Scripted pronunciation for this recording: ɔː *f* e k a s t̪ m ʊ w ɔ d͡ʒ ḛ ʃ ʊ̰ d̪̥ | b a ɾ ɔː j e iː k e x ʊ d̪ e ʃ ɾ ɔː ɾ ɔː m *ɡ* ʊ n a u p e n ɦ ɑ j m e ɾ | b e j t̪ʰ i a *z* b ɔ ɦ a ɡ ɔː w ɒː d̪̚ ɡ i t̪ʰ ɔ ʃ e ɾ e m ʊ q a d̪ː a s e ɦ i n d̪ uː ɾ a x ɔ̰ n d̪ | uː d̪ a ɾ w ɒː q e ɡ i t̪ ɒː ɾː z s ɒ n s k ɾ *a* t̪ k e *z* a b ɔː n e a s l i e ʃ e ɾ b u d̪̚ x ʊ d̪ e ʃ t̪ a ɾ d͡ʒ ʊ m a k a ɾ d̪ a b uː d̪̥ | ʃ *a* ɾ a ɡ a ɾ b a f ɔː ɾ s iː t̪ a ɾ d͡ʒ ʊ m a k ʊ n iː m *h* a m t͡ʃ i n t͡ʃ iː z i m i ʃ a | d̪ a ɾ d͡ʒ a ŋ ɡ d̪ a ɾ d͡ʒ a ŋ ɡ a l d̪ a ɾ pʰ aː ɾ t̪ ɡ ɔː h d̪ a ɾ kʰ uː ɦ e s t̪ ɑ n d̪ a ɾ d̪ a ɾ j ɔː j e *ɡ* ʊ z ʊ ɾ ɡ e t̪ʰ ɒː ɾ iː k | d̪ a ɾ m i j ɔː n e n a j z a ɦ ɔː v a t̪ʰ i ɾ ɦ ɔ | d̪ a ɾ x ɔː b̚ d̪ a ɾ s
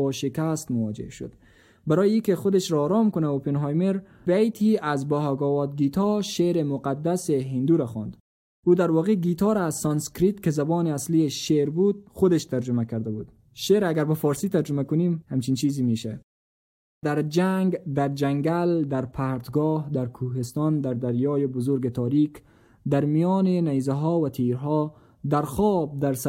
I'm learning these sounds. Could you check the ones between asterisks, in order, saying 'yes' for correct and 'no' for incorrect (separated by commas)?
no, no, yes, no, yes, no, yes, no